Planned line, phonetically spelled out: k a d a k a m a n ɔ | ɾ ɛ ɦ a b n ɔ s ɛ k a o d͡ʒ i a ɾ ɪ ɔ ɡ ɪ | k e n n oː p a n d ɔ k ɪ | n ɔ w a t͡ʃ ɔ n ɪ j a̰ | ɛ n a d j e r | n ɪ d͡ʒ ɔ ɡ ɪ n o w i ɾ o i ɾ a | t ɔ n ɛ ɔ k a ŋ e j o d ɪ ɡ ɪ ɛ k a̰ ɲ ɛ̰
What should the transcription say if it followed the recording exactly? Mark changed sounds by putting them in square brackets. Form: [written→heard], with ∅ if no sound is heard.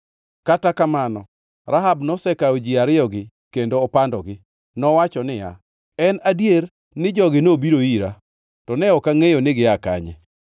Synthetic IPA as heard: k a [d→t] a k a m a n ɔ | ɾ [ɛ→a] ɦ a b n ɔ s ɛ k a o d͡ʒ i a ɾ ɪ ɔ ɡ ɪ | k e n [n→d] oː p a n d ɔ [k→ɡ] ɪ | n ɔ w a t͡ʃ ɔ n ɪ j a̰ | ɛ n a d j e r | n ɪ d͡ʒ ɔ ɡ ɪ n o [w→b] i ɾ o i ɾ a | t ɔ n ɛ ɔ k a ŋ e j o [d→n] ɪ ɡ ɪ [ɛ→a] k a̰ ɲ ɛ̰